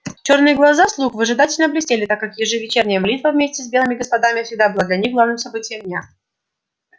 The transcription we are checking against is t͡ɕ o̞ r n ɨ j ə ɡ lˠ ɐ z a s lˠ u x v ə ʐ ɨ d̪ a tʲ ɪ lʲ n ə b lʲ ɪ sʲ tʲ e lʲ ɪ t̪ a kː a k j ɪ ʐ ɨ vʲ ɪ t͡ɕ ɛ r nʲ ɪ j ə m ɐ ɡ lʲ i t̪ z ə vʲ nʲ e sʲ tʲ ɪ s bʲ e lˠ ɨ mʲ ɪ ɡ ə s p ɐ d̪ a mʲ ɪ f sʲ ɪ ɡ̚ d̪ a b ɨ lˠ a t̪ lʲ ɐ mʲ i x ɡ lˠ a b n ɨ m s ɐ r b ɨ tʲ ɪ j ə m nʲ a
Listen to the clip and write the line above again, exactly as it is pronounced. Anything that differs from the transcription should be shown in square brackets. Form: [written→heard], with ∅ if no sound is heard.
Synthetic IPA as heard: t͡ɕ o̞ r n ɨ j ə ɡ lˠ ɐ z a s lˠ u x v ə ʐ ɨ d̪ a tʲ ɪ lʲ n ə b lʲ ɪ sʲ tʲ e lʲ ɪ t̪ a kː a k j ɪ ʐ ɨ vʲ ɪ t͡ɕ [ɛ→e] r nʲ ɪ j ə m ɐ [ɡ→∅] lʲ i t̪ [z→v] ə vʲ [nʲ→mʲ] e sʲ tʲ ɪ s bʲ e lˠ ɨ mʲ ɪ ɡ ə s p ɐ d̪ a mʲ ɪ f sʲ ɪ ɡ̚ d̪ a b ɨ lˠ a [t̪→d̪] lʲ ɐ [mʲ→nʲ] i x ɡ lˠ a [b→v] n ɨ m s ɐ [r→∅] b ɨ tʲ ɪ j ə m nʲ a

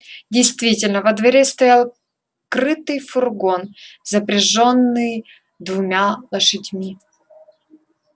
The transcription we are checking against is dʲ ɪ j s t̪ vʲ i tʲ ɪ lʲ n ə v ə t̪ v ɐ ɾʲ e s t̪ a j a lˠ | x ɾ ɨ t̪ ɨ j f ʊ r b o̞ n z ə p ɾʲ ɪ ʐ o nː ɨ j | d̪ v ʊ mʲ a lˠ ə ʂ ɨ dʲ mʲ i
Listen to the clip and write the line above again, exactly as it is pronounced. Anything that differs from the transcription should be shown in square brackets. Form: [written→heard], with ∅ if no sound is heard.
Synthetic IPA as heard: dʲ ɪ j s t̪ vʲ i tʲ ɪ lʲ n ə v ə [t̪→d̪] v ɐ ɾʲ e s t̪ [a→ɐ] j a lˠ | [x→k] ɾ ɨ t̪ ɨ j f ʊ r [b→ɡ] o̞ n z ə p ɾʲ ɪ ʐ o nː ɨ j | d̪ v ʊ mʲ a lˠ ə ʂ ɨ dʲ mʲ i

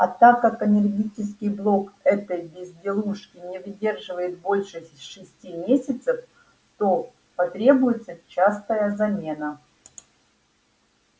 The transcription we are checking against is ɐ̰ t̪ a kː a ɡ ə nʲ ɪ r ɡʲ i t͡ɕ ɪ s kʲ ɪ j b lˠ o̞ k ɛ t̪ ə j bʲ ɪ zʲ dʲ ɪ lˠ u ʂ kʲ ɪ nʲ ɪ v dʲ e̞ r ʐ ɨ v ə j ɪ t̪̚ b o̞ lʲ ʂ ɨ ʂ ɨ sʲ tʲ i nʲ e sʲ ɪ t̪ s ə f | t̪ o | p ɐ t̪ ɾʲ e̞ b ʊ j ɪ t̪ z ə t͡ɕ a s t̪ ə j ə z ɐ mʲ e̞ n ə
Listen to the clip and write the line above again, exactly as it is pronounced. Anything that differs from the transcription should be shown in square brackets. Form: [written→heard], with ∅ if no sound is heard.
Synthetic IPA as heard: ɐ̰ t̪ a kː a [ɡ→k] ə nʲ ɪ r ɡʲ i t͡ɕ ɪ s kʲ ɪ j b lˠ o̞ k ɛ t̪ ə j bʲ ɪ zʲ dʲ ɪ lˠ u ʂ kʲ ɪ nʲ ɪ v dʲ e̞ r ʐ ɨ v ə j ɪ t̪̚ b o̞ lʲ ʂ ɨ ʂ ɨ sʲ tʲ i [nʲ→mʲ] e sʲ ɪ t̪ s ə f | t̪ o | p ɐ t̪ ɾʲ e̞ b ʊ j ɪ t̪ [z→s] ə t͡ɕ a s t̪ ə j ə z ɐ mʲ e̞ n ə

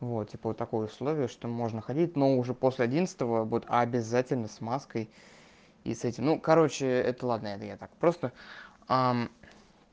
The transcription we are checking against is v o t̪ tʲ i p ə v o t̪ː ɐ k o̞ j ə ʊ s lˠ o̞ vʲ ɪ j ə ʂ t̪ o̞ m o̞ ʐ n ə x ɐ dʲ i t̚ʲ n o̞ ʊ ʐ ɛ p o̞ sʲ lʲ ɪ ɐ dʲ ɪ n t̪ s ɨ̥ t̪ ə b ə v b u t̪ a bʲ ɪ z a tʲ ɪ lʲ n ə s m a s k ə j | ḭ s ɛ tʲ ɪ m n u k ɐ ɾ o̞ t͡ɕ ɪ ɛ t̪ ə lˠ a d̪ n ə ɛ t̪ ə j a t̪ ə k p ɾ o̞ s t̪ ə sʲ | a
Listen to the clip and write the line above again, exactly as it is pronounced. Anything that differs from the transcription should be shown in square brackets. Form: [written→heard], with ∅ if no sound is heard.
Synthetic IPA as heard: v o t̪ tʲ i p ə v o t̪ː ɐ k o̞ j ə ʊ s lˠ o̞ vʲ ɪ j ə ʂ t̪ o̞ m o̞ ʐ n ə x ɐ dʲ i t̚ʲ n o̞ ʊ ʐ ɛ p o̞ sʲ lʲ ɪ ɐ dʲ [ɪ→i] n t̪ s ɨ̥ t̪ ə [b→v] ə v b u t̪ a bʲ ɪ z a tʲ ɪ lʲ n ə s m a s k ə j | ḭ s ɛ tʲ ɪ m n u k ɐ ɾ o̞ t͡ɕ ɪ ɛ t̪ ə lˠ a d̪ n ə ɛ t̪ ə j a t̪ [ə→a] k p ɾ o̞ s t̪ ə [sʲ→∅] | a

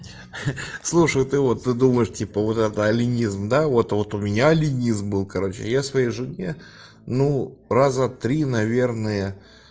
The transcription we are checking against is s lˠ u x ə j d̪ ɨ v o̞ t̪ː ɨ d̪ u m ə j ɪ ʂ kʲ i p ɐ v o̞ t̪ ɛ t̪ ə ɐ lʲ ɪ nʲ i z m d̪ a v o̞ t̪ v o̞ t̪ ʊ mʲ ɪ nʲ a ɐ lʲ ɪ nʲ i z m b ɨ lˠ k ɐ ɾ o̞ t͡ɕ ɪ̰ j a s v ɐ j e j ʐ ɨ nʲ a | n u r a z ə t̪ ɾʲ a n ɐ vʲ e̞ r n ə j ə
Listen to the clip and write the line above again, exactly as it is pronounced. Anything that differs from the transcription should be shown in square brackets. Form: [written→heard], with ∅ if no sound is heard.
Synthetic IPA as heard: s lˠ u [x→ʂ] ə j [d̪→t̪] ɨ v o̞ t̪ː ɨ d̪ u m ə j ɪ ʂ [kʲ→tʲ] i p [ɐ→ə] v o̞ t̪ ɛ t̪ ə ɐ lʲ ɪ nʲ i z m d̪ a v o̞ t̪ v o̞ t̪ ʊ mʲ ɪ nʲ a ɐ lʲ ɪ nʲ i z m b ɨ lˠ k ɐ ɾ o̞ t͡ɕ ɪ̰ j a s v ɐ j e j ʐ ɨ nʲ [a→e] | n u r a z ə t̪ ɾʲ [a→i] n ɐ vʲ e̞ r n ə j ə

